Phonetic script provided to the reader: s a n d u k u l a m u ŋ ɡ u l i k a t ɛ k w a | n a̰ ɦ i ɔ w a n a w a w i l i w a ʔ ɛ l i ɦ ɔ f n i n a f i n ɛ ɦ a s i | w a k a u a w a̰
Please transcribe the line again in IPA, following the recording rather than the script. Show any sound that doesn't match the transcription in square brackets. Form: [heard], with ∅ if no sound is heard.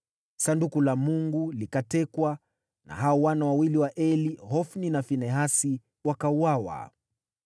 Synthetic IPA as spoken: s a n d u k u l a m u ŋ ɡ u l i k a t ɛ k w a | n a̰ ɦ [a] ɔ w a n a w a w i l i w a ʔ ɛ l i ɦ ɔ f n i n a f i n ɛ ɦ a s i | w a k a u a w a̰

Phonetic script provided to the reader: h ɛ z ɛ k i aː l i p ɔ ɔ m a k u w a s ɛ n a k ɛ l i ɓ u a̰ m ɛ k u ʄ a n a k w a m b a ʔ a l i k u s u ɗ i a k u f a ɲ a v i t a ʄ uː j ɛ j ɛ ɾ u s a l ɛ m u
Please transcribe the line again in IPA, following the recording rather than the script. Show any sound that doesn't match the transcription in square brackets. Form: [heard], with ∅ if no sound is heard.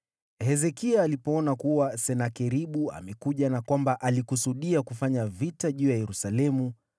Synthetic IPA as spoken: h ɛ z ɛ k i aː l i p ɔ ɔ [n] a k u w a s ɛ n a k ɛ [ɾ] i ɓ u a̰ m ɛ k u ʄ a n a k w a m b a ʔ a l i k u s u ɗ i a k u f a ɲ a v i t a ʄ uː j [a] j ɛ ɾ u s a l ɛ m u

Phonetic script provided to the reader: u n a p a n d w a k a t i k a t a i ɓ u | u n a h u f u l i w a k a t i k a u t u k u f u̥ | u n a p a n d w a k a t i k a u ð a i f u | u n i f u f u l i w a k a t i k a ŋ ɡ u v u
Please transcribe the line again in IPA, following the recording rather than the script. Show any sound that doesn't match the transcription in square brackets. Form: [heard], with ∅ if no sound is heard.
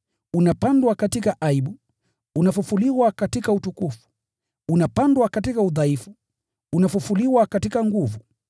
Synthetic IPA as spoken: u n a p a n d w a k a t i k a [ʔ] a i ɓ u | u n a [f] u f u l i w a k a t i k a u t u k u f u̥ | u n a p a n d w a k a t i k a u ð a i f u | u n [a] f u f u l i w a k a t i k a ŋ ɡ u v u

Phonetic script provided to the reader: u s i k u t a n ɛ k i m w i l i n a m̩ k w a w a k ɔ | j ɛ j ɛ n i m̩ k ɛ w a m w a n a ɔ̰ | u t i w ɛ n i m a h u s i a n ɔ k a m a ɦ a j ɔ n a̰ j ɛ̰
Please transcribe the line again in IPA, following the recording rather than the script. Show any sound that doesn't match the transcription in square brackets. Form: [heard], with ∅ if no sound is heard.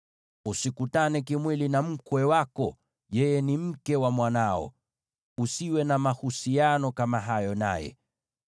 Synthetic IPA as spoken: u s i k u t a n ɛ k i m w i l i n a m̩ k w [ɛ] w a k ɔ | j ɛ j ɛ n i m̩ k ɛ w a m w a n a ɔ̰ | u [s] i w ɛ n [a] m a h u s i a n ɔ k a m a ɦ a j ɔ n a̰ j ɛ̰

